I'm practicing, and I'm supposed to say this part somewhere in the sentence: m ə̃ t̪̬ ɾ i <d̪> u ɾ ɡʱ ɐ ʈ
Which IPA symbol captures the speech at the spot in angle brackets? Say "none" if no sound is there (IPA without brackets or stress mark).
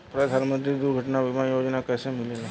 d̪